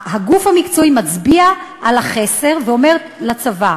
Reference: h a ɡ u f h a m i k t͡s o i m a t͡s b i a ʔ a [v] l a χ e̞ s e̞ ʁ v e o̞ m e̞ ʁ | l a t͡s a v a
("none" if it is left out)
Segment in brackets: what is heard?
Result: none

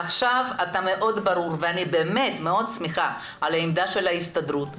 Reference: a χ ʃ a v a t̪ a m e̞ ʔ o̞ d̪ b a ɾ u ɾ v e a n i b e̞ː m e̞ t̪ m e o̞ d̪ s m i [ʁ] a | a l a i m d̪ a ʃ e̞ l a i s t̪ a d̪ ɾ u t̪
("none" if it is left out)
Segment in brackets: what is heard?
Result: χ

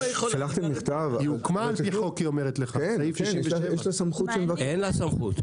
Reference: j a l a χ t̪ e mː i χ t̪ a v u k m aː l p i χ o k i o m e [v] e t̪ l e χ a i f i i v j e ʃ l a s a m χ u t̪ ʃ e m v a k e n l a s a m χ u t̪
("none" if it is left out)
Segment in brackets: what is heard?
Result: ʁ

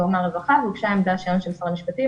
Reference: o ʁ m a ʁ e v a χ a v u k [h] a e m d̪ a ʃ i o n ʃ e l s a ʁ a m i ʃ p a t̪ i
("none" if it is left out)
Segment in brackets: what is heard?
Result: ʃ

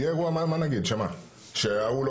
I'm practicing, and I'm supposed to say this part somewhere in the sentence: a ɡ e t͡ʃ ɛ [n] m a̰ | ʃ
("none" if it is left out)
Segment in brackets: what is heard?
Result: none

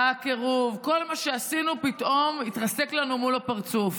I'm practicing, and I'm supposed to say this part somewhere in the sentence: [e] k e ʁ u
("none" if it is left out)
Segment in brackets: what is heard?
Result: a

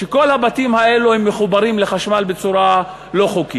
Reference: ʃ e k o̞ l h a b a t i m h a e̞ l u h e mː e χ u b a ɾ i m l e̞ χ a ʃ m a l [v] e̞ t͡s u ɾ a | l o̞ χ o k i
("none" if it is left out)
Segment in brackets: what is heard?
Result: b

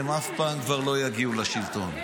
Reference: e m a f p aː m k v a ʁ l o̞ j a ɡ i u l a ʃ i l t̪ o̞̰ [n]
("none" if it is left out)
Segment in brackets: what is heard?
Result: n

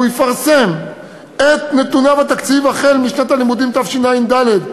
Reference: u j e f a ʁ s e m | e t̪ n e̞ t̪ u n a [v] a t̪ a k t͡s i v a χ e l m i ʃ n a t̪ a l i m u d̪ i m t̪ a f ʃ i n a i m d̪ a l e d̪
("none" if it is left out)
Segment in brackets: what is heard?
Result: v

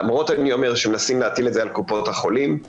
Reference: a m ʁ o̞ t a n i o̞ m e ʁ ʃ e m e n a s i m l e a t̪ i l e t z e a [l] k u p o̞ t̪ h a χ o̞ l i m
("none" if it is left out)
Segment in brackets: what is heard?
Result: l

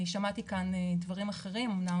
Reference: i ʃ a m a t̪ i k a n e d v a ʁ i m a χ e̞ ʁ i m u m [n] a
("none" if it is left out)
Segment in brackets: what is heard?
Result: n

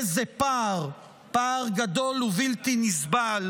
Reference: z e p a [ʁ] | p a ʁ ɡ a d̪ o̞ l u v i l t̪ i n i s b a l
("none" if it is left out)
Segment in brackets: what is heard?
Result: ʁ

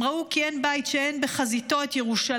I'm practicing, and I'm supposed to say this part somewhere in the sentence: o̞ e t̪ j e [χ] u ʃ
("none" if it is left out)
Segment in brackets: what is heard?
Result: ʁ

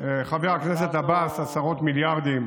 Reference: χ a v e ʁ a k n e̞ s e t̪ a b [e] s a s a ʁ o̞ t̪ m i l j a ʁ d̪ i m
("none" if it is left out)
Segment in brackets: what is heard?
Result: a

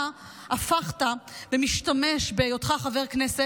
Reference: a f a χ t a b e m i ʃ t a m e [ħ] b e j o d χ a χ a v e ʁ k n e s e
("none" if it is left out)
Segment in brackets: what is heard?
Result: ʃ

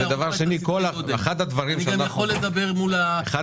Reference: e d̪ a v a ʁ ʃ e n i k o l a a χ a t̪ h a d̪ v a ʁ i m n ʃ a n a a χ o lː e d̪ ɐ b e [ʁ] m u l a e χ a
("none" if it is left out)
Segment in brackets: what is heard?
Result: ʁ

